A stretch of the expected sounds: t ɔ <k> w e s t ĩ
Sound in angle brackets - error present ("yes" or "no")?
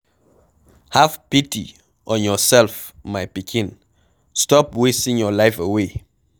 yes